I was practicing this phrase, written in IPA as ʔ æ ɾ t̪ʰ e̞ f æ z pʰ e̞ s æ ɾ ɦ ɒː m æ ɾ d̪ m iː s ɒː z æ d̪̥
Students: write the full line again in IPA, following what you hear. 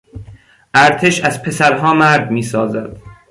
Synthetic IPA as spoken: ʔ æ ɾ t̪ʰ e̞ ʃ æ z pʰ e̞ s æ ɾ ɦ ɒː m æ ɾ d̪ m iː s ɒː z æ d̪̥